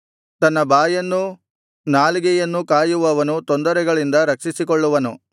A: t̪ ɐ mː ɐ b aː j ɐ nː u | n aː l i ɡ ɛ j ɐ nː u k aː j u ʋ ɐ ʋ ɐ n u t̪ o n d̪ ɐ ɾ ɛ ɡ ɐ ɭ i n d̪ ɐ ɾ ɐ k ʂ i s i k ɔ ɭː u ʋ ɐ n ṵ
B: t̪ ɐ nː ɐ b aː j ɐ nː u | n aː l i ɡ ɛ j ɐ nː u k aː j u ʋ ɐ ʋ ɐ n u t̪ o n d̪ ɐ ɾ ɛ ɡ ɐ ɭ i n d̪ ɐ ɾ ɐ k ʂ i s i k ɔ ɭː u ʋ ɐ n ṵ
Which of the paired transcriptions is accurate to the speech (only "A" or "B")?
B